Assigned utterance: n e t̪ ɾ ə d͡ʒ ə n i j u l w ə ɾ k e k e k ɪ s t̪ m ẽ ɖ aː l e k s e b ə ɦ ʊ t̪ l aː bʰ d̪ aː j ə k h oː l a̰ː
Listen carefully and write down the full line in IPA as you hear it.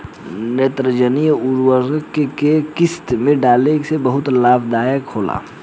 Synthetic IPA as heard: n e t̪ ɾ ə d͡ʒ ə n i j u ɾ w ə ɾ k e k e k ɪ s t̪ m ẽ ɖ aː l e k s e b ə ɦ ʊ t̪ l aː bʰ d̪ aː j ə k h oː l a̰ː